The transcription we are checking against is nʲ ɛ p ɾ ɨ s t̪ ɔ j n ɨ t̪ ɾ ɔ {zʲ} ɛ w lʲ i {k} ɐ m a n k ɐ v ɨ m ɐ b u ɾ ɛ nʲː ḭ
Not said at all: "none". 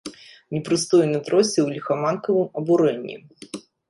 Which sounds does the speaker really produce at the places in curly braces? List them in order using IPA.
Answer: sʲ, x

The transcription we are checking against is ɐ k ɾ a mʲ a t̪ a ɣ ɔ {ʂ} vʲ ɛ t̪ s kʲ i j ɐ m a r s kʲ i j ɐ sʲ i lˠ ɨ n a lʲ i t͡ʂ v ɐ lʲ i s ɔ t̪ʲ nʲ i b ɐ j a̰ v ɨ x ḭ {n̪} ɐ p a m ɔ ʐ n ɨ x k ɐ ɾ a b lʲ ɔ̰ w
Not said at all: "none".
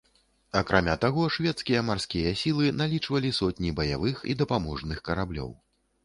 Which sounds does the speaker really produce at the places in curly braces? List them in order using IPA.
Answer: ʂ, d̪

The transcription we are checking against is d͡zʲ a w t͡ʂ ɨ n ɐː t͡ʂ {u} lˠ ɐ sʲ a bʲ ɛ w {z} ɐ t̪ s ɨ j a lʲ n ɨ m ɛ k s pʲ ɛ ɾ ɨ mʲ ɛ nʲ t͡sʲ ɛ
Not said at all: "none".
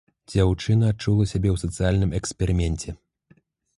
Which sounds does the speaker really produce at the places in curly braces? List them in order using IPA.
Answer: u, s

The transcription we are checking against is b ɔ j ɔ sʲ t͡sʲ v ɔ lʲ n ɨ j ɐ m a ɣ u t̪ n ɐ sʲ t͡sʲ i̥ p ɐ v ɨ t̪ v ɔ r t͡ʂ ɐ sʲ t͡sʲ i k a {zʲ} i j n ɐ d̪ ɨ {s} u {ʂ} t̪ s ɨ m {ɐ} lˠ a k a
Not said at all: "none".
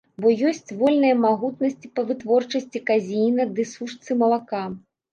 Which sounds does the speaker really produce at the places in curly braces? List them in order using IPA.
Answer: zʲ, s, ʂ, ɐ

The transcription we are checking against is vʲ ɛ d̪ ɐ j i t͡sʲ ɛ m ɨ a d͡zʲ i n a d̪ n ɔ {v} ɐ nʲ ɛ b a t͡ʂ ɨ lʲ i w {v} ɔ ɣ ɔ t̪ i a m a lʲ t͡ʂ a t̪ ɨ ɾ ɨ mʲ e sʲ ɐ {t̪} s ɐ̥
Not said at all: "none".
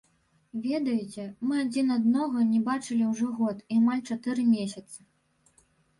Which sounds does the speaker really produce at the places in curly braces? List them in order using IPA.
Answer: ɣ, ʐ, t̪

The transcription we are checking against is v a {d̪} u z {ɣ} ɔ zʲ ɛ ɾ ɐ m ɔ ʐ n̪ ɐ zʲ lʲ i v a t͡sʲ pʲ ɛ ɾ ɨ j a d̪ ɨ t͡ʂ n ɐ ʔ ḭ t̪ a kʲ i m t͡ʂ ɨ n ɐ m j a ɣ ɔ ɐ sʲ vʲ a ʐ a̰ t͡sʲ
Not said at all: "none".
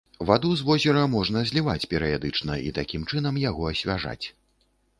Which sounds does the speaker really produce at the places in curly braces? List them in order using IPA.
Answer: d̪, v

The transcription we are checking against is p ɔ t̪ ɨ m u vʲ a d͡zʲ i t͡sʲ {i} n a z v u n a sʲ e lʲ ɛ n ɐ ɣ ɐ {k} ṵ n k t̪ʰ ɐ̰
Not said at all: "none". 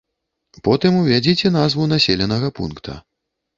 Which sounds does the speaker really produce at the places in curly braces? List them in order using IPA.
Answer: ɛ, p

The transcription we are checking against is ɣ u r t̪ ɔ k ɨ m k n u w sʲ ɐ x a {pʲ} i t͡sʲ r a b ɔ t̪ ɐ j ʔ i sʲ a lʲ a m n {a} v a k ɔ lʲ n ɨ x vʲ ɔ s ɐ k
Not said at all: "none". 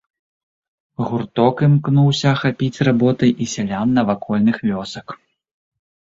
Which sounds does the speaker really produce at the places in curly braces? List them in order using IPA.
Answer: pʲ, ɐ

